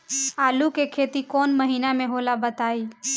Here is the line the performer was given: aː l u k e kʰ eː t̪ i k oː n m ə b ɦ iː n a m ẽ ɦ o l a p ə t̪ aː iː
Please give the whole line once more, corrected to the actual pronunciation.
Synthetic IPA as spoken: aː l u k e kʰ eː t̪ i k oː n m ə ɦ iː n a m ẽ ɦ o l a b ə t̪ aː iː